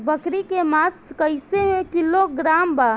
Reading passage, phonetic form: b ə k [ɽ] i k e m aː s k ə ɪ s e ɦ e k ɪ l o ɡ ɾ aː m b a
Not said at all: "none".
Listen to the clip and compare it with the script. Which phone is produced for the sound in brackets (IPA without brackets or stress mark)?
ɾ